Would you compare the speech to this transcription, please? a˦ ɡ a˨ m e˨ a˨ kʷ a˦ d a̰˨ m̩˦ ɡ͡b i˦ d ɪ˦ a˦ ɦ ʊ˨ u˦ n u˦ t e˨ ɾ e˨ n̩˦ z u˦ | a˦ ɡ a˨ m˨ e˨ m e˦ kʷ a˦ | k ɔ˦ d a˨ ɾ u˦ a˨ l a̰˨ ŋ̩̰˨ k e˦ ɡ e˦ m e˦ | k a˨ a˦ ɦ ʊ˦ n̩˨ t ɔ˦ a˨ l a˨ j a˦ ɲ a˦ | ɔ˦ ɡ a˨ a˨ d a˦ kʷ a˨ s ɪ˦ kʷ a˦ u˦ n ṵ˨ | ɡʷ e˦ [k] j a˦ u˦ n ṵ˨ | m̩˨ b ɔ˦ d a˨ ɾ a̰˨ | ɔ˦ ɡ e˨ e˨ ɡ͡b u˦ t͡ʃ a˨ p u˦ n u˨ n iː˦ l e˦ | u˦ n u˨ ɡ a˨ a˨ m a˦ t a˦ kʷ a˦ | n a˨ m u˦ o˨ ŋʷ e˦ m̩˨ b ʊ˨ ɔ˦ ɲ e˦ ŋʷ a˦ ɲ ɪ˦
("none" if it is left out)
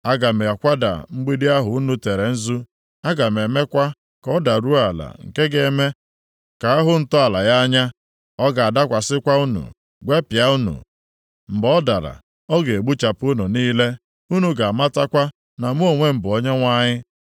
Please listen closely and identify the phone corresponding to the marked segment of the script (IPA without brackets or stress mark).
p